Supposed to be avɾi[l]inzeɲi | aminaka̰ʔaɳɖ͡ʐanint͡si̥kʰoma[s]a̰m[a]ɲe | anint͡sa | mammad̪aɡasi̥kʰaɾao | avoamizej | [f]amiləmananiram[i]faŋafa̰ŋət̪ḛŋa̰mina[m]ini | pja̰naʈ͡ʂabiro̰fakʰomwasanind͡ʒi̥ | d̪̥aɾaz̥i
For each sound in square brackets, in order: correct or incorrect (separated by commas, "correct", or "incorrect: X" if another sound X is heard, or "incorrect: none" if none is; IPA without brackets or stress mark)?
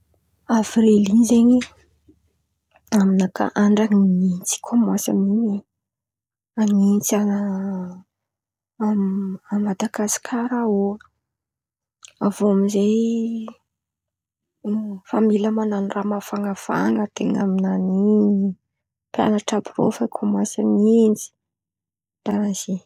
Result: correct, correct, incorrect: i, correct, incorrect: a, incorrect: n